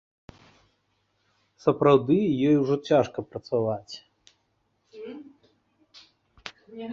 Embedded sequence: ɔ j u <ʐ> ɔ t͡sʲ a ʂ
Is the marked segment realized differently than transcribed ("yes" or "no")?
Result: no